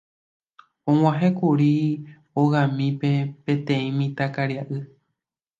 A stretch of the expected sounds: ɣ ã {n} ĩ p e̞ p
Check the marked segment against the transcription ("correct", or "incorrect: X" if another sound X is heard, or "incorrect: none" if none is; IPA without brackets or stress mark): incorrect: m